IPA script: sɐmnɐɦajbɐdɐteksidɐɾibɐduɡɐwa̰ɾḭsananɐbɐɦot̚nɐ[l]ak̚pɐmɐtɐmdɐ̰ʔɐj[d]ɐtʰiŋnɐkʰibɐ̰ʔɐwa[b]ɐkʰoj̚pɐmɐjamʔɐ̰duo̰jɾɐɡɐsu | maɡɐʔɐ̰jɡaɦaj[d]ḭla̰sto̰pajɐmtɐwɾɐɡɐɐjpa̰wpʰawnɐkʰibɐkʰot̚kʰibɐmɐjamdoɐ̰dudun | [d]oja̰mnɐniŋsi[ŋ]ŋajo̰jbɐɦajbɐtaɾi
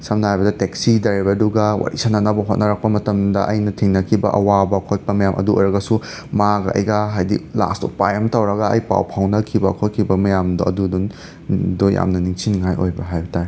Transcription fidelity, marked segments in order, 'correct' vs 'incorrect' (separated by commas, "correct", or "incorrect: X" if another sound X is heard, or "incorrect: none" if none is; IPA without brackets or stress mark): incorrect: ɾ, incorrect: n, correct, correct, correct, incorrect: n